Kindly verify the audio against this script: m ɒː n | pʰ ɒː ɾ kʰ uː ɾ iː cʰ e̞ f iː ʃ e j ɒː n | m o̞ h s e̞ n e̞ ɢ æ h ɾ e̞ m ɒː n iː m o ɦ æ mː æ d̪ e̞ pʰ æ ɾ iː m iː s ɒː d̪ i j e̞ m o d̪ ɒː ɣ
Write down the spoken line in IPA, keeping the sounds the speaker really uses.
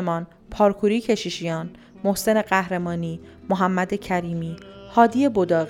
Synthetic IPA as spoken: m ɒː n | pʰ ɒː ɾ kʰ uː ɾ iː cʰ e̞ ʃ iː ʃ i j ɒː n | m o̞ h s e̞ n e̞ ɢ æ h ɾ e̞ m ɒː n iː m o ɦ æ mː æ d̪ e̞ cʰ æ ɾ iː m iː h ɒː d̪ i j e̞ b o d̪ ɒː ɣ